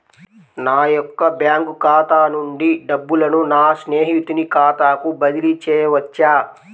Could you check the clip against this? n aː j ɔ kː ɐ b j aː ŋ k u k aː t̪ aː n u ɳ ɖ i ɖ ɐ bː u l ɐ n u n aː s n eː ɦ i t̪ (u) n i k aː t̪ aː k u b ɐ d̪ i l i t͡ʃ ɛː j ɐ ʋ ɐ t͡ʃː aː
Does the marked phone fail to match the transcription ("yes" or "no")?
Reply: no